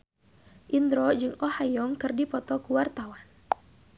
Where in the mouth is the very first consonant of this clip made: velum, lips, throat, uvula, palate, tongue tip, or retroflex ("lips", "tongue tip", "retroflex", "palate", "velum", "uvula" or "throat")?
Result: throat